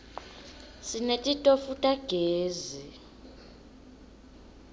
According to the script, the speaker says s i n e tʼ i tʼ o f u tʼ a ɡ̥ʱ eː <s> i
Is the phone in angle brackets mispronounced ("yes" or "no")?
yes